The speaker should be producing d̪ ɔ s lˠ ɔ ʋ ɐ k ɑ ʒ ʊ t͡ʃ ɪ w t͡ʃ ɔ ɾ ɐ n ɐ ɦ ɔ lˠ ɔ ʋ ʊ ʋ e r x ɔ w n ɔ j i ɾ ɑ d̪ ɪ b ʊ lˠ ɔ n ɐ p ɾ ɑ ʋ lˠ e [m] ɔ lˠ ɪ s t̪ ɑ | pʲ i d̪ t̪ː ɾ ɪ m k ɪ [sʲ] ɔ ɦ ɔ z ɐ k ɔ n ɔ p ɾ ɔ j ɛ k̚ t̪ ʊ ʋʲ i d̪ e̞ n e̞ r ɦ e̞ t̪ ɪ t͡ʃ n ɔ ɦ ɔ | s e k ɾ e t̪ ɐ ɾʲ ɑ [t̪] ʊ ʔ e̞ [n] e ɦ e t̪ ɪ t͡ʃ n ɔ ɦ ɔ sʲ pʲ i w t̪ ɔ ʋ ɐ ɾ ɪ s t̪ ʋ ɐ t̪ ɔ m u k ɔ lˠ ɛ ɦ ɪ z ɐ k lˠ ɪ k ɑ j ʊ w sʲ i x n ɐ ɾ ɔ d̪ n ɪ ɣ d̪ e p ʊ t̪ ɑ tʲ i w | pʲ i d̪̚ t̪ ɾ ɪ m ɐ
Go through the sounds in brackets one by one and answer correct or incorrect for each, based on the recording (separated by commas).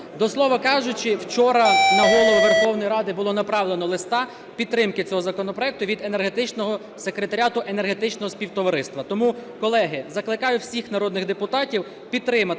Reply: incorrect, incorrect, correct, correct